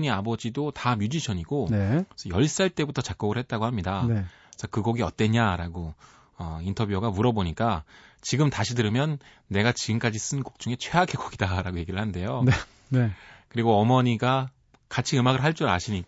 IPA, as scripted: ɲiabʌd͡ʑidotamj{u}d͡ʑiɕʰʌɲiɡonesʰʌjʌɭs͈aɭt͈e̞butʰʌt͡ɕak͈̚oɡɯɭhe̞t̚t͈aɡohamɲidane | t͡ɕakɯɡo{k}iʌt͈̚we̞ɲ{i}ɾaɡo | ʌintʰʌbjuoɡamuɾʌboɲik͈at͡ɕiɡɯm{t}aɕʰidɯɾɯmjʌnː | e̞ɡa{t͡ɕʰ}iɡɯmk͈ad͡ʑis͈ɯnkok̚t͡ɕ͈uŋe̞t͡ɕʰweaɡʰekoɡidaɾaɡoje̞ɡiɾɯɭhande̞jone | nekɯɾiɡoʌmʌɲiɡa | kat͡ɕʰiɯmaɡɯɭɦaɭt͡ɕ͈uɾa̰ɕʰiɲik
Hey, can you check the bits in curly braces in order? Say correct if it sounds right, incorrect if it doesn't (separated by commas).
correct, incorrect, incorrect, correct, incorrect